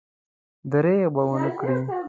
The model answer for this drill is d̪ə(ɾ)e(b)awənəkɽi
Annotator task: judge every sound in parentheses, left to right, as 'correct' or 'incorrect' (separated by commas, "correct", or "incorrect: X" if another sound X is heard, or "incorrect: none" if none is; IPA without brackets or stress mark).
correct, correct